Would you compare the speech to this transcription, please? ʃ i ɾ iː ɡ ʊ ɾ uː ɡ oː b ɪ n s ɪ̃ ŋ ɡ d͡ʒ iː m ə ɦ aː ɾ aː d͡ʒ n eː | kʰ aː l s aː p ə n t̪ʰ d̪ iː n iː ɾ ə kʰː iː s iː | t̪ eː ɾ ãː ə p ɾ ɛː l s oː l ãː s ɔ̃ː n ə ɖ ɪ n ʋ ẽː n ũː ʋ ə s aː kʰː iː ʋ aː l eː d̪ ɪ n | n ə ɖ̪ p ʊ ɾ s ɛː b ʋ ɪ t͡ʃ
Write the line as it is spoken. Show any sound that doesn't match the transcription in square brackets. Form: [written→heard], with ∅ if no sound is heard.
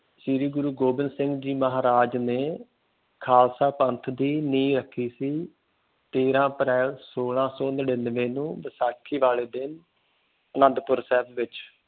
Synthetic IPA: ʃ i ɾ iː ɡ ʊ ɾ uː ɡ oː b ɪ n s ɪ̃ ŋ ɡ d͡ʒ iː m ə ɦ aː ɾ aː d͡ʒ n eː | kʰ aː l s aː p ə n t̪ʰ d̪ iː n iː ɾ ə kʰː iː s iː | t̪ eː ɾ ãː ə p ɾ ɛː l s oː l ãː s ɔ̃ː n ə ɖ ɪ n ʋ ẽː n ũː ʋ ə s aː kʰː iː ʋ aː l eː d̪ ɪ n | n ə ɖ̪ p ʊ ɾ s ɛː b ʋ ɪ t͡ʃ